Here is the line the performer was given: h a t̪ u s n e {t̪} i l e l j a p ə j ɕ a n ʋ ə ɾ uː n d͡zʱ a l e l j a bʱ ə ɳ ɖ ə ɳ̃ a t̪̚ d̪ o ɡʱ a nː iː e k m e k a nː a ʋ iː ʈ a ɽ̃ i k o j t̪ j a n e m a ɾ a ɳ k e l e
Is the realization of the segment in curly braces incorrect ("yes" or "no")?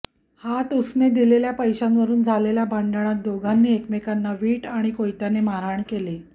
yes